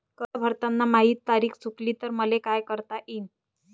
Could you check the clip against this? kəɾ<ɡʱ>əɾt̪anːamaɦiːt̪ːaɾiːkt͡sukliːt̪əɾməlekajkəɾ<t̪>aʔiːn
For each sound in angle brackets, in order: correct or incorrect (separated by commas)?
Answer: incorrect, correct